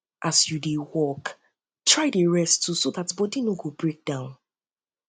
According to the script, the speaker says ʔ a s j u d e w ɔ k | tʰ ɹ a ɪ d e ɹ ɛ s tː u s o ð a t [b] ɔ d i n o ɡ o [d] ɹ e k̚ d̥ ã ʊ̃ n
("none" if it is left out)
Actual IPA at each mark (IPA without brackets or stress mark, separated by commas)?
b, b